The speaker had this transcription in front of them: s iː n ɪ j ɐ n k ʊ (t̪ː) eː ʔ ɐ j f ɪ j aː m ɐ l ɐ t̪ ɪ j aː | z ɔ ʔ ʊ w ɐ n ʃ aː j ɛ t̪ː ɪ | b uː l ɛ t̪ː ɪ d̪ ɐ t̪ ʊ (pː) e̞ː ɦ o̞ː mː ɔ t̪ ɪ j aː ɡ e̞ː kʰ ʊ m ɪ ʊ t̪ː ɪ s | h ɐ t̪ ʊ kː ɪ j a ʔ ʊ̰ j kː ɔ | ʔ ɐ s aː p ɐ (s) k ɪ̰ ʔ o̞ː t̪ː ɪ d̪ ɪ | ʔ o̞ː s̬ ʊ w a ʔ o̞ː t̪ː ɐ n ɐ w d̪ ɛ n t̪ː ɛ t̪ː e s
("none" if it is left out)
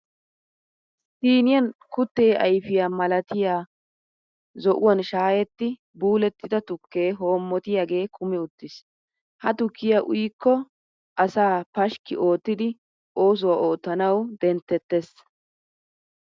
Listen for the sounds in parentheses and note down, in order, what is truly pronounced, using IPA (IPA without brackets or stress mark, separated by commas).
t̪ː, kː, ʃ